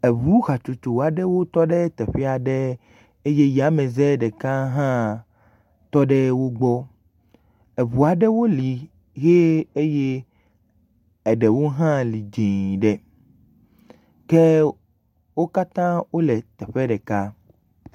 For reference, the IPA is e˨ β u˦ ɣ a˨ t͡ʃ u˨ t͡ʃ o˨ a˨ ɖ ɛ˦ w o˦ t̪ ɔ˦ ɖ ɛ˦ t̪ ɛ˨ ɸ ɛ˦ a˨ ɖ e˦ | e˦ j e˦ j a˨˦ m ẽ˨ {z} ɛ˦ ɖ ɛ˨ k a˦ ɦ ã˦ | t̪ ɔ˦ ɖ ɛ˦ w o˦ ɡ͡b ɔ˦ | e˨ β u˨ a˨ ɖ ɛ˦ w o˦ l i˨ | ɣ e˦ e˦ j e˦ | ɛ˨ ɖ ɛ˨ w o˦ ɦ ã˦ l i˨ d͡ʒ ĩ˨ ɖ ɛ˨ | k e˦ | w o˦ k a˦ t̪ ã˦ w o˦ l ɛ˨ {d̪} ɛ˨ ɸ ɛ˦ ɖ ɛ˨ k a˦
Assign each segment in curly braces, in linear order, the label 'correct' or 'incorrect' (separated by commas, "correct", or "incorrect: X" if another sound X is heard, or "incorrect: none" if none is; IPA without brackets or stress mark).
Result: correct, incorrect: t̪